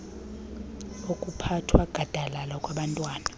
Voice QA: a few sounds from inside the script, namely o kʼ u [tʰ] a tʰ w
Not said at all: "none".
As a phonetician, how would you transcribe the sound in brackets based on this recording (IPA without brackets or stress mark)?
pʰ